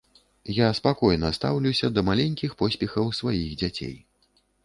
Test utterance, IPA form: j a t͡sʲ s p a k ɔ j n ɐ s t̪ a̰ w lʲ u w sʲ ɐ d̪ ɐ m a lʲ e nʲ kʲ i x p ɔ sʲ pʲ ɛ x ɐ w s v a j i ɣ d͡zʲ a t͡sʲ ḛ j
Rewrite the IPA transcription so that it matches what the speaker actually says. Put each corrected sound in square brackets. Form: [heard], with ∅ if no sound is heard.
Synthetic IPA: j a [∅] s p a k ɔ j n ɐ s t̪ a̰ w lʲ u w sʲ ɐ d̪ ɐ m a lʲ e nʲ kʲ i x p ɔ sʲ pʲ ɛ x ɐ w s v a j i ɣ d͡zʲ a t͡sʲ ḛ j